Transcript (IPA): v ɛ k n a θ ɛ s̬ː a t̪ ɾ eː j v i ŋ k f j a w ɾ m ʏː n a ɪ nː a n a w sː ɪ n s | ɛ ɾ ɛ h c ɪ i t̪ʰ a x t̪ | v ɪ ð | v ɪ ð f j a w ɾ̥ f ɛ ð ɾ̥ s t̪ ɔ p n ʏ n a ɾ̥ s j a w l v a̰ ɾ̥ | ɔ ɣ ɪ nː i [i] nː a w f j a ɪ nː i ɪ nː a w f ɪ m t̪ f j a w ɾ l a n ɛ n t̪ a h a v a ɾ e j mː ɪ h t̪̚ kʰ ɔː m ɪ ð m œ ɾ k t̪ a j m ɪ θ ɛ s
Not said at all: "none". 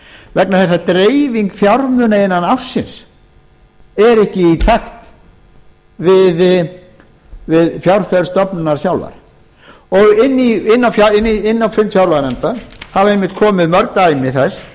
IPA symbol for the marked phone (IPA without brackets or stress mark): ɪ